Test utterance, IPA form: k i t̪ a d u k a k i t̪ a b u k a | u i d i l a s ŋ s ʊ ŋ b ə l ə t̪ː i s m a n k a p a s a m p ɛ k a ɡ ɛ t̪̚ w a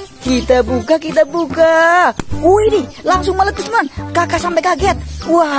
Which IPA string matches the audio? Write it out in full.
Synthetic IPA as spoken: k i t̪ a b u k a k i t̪ a b u k a | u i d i l a ŋ s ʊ ŋ m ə l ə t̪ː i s m a n k a k a s a m p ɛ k a ɡ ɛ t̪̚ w a